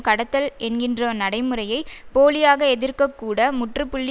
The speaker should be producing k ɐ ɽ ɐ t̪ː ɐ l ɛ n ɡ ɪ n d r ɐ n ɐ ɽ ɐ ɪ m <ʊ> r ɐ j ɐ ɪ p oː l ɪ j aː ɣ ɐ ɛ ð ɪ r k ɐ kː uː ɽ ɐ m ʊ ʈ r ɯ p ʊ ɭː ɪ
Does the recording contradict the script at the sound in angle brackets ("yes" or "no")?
yes